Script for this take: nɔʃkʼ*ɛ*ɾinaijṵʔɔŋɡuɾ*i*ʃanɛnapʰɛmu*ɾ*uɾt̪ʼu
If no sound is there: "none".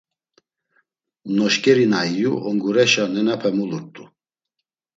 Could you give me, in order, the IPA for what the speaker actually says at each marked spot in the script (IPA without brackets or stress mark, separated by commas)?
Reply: ɛ, ɛ, l